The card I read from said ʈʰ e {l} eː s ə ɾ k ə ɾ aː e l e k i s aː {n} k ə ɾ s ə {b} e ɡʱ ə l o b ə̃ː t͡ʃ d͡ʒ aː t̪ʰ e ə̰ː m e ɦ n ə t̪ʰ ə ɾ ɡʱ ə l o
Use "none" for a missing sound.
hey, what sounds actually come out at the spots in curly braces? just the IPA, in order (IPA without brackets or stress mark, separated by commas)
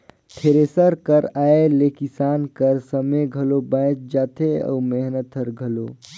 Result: ɾ, n, m